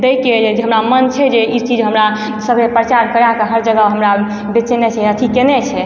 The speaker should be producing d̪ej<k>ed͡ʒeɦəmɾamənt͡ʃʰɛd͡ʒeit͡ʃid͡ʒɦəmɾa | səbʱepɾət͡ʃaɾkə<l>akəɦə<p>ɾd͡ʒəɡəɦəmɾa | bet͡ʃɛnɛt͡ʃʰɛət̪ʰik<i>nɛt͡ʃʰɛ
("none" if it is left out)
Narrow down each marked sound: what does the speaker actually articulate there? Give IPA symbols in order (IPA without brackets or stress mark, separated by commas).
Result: k, ɾ, none, e